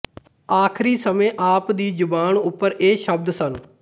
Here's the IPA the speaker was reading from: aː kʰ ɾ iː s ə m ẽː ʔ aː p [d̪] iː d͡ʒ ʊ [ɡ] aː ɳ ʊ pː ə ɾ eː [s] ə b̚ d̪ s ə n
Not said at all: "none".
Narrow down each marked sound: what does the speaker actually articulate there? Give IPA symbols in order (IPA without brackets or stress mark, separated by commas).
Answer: d̪, b, ʃ